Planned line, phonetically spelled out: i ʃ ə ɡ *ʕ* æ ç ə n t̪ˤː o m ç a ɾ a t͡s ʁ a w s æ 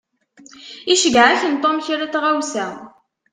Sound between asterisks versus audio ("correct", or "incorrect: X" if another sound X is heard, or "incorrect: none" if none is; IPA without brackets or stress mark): correct